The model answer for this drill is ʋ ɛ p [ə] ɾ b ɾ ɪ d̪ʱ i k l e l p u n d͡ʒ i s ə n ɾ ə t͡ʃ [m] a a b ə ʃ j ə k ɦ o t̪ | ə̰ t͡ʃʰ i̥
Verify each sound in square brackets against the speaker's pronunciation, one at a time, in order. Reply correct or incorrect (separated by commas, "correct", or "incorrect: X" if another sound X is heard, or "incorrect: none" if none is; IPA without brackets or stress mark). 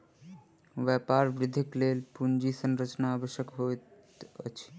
incorrect: a, incorrect: n